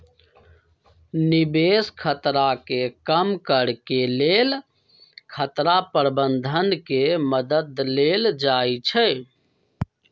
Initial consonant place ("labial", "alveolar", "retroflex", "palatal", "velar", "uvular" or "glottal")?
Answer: alveolar